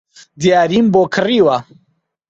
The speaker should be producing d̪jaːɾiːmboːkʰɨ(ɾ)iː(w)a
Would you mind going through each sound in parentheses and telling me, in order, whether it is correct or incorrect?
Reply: incorrect: r, correct

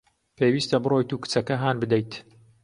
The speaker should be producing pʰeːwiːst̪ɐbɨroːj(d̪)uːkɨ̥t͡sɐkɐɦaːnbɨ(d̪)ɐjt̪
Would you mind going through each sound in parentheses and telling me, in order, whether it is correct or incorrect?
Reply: incorrect: t̪, correct

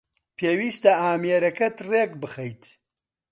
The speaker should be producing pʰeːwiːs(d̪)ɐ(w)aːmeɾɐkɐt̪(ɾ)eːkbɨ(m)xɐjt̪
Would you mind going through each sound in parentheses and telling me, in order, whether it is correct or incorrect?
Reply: incorrect: t̪, incorrect: none, incorrect: r, incorrect: none

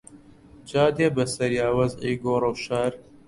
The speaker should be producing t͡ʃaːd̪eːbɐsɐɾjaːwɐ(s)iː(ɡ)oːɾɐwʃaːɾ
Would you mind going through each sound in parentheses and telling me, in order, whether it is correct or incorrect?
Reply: incorrect: z, correct

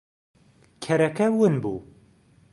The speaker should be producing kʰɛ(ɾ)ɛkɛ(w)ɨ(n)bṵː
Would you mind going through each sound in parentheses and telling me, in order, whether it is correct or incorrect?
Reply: correct, correct, correct

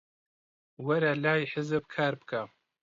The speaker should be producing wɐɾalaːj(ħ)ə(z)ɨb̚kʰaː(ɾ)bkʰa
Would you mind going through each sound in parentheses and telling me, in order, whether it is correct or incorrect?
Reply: correct, correct, correct

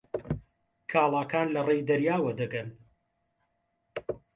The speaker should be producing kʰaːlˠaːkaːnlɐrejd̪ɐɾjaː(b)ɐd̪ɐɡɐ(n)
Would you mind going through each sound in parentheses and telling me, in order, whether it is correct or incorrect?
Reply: incorrect: w, correct

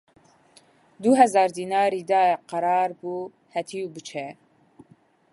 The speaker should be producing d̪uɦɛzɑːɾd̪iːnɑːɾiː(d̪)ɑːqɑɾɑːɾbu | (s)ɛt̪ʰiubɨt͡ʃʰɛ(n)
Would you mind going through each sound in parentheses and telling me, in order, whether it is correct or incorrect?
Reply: correct, incorrect: h, incorrect: none

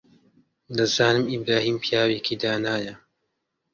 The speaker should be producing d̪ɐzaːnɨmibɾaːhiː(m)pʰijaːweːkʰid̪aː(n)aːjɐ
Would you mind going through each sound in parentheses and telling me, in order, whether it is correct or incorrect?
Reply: correct, correct

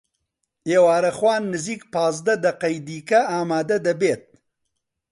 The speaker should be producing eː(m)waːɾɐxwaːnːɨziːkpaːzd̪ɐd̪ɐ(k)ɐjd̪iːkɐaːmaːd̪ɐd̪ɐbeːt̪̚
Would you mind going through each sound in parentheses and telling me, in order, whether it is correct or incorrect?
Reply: incorrect: none, incorrect: q

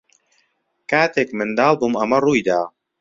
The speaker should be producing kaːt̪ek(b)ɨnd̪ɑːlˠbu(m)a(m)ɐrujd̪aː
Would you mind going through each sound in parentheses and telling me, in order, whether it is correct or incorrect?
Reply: incorrect: m, correct, correct

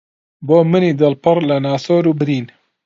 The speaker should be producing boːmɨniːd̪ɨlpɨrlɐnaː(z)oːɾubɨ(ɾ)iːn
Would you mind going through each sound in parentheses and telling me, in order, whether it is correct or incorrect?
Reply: incorrect: s, correct

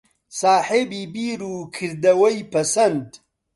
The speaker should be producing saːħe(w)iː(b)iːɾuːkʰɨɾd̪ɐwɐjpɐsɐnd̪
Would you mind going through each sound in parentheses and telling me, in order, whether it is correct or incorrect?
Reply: incorrect: b, correct

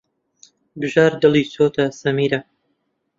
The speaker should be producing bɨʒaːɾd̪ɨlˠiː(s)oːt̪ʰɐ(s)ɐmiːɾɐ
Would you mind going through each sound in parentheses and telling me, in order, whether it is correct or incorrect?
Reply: correct, correct

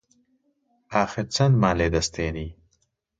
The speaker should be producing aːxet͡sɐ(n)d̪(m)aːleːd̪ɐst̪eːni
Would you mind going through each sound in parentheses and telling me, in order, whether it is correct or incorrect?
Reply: correct, correct

